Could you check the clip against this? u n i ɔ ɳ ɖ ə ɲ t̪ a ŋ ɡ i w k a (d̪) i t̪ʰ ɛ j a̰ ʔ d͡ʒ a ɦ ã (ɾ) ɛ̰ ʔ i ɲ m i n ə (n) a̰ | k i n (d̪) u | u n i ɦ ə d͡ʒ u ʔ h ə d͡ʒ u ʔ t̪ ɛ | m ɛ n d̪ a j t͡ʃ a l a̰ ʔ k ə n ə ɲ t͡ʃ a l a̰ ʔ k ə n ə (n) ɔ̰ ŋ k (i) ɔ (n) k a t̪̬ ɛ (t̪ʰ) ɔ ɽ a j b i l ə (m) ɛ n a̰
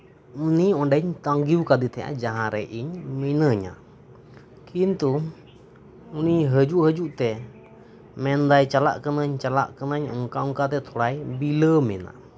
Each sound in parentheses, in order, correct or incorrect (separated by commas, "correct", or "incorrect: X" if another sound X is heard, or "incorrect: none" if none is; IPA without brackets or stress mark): correct, correct, incorrect: ɲ, incorrect: t̪, incorrect: ɲ, incorrect: a, incorrect: ŋ, correct, correct